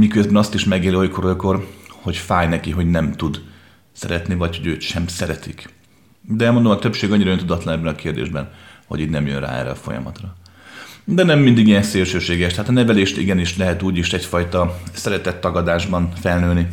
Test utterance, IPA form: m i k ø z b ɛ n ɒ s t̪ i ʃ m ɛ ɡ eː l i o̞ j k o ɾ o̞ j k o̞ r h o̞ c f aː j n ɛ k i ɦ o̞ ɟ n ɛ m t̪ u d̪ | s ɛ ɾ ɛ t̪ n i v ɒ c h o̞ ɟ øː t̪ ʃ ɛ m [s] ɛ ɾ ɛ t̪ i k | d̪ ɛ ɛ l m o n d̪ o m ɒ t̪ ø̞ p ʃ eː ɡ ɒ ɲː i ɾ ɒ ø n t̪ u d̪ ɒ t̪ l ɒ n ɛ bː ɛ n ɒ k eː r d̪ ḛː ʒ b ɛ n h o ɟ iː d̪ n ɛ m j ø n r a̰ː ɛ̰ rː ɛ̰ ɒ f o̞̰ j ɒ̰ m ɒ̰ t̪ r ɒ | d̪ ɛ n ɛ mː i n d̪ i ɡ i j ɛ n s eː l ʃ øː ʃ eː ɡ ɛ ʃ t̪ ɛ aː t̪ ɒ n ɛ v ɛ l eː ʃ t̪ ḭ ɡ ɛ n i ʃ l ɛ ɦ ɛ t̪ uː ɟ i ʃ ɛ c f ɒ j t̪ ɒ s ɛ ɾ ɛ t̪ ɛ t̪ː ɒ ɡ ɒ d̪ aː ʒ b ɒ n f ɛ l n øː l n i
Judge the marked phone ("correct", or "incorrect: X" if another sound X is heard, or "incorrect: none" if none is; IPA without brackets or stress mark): correct